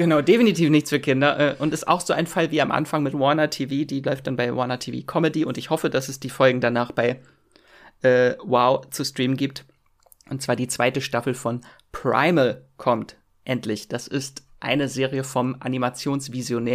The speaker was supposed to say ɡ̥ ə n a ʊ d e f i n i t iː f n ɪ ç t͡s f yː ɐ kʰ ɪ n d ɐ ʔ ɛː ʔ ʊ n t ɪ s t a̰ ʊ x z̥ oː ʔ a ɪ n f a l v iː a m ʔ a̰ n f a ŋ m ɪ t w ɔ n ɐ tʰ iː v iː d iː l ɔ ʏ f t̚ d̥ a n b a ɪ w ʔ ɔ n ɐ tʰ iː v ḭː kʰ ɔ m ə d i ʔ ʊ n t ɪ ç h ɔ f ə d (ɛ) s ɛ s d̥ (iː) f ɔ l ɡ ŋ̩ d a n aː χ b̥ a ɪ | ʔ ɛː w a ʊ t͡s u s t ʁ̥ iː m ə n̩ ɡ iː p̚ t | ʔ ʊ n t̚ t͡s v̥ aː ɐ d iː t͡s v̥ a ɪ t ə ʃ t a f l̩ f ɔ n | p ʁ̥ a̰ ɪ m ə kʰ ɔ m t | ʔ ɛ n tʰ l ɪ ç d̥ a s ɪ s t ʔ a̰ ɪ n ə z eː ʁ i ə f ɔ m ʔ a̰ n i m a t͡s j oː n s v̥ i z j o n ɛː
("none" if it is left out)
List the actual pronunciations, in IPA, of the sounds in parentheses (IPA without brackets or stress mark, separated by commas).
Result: a, iː